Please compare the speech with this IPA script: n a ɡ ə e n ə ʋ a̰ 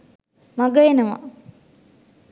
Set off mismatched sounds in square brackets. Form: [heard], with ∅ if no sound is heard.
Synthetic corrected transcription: [m] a ɡ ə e n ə ʋ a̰